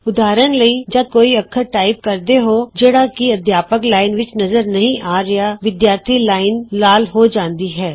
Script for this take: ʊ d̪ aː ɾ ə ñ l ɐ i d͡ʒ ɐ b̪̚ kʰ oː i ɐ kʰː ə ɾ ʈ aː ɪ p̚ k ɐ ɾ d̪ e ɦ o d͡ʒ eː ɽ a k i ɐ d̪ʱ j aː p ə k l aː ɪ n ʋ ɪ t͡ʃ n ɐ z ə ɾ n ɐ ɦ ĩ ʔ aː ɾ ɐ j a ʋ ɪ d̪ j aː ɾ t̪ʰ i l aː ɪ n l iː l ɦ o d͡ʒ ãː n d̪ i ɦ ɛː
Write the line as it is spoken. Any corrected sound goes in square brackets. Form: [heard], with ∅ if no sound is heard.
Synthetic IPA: ʊ d̪ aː ɾ ə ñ l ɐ i d͡ʒ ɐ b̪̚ [k] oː i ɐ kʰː ə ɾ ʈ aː ɪ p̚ k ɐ ɾ d̪ e ɦ o d͡ʒ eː ɽ a k i ɐ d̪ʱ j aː p ə k l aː ɪ n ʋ ɪ t͡ʃ n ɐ z ə ɾ n ɐ ɦ ĩ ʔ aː ɾ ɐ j a ʋ ɪ d̪ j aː ɾ t̪ʰ i l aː ɪ n l [aː] l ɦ o d͡ʒ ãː n d̪ i ɦ ɛː